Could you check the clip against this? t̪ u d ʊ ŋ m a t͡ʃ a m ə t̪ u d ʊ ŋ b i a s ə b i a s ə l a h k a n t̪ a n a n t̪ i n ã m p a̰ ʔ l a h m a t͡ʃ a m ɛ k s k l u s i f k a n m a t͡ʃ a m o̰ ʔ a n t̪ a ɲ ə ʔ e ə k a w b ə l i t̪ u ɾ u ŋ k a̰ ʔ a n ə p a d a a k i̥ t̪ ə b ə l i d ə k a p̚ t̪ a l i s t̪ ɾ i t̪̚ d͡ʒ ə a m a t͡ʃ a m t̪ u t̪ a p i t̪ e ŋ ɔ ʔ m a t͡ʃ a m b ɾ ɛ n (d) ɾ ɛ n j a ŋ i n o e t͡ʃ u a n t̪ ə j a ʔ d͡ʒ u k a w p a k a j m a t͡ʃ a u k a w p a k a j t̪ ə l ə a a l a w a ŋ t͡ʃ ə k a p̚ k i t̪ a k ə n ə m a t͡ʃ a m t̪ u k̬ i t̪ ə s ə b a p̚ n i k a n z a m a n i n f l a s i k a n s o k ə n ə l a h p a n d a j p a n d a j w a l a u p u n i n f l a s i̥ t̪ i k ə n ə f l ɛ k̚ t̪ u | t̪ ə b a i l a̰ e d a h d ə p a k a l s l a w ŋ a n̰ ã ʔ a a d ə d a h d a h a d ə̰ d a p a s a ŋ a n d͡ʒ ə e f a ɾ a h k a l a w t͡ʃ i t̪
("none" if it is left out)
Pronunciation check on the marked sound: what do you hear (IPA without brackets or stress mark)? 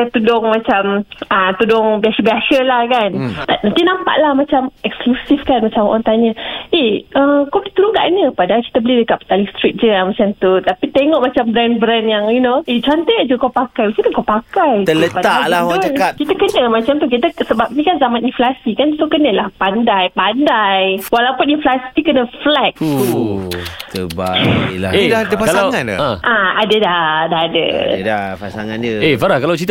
b